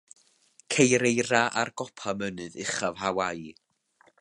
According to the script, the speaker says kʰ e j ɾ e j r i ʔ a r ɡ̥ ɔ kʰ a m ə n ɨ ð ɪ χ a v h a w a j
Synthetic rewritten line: kʰ e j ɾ e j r a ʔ a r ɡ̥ ɔ pʰ a m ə n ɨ ð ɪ χ a v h a w a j